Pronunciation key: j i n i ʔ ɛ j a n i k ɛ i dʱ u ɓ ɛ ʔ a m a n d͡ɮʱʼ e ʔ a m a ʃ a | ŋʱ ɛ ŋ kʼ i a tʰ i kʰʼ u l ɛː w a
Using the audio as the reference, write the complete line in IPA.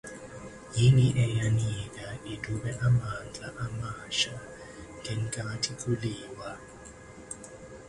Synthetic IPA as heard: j i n i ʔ ɛ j a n i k a i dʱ u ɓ ɛ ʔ a m a n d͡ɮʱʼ a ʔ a m a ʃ a | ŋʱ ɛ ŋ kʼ a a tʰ i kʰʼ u l iː w a